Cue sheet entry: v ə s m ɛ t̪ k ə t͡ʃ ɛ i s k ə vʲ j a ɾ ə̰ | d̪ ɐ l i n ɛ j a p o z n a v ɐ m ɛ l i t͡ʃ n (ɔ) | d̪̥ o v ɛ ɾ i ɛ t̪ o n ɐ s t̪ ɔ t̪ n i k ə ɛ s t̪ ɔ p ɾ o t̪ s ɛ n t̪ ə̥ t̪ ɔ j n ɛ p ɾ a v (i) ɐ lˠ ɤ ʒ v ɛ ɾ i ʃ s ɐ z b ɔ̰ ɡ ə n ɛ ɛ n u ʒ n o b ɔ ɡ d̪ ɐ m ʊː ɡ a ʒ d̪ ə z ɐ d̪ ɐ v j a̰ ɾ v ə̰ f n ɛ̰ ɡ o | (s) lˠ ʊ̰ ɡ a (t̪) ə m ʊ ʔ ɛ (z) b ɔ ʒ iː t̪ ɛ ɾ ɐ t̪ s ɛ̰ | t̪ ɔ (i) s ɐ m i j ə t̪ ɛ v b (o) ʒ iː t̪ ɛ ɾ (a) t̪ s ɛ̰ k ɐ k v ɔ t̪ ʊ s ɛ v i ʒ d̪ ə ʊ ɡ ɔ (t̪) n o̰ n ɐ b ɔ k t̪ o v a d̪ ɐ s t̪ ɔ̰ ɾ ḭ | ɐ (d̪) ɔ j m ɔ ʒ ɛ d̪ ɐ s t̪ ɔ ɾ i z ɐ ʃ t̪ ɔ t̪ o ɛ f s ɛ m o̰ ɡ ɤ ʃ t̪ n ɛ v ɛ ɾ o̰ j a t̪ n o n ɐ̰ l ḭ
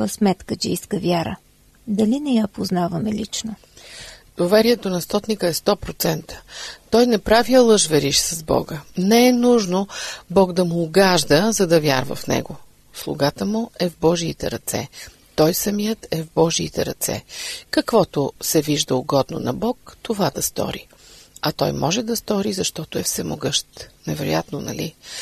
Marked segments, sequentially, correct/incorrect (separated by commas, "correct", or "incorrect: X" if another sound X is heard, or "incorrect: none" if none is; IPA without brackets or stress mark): incorrect: o, correct, correct, correct, incorrect: v, incorrect: j, incorrect: ɔ, incorrect: ɐ, incorrect: d̪, incorrect: t̪